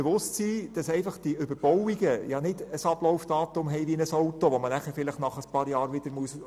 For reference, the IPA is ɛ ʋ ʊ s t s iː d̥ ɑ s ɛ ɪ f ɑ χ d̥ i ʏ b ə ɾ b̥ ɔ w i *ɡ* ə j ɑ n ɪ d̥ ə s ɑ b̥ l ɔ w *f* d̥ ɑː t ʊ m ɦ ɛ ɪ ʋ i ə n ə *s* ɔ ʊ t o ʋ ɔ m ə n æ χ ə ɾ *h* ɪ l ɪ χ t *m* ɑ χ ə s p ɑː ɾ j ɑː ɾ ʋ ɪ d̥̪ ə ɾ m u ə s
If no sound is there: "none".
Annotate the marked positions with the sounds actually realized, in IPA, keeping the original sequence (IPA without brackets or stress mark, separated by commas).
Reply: ɡ, f, s, f, n